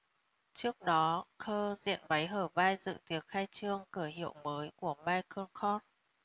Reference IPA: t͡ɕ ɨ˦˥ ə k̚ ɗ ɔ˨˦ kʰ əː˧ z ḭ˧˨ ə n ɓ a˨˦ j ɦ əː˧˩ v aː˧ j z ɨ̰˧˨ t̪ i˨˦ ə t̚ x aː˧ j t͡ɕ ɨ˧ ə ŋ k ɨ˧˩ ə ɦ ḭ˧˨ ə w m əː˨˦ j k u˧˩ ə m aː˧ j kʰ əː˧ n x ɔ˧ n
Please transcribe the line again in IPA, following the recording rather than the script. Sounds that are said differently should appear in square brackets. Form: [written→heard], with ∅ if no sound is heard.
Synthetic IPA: t͡ɕ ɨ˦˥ ə k̚ ɗ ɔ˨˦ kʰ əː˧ z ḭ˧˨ ə n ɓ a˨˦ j ɦ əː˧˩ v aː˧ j z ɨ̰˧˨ t̪ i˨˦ ə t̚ x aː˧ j t͡ɕ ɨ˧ ə ŋ k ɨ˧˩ ə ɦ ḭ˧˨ ə w m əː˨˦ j k u˧˩ ə m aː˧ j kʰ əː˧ n x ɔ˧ n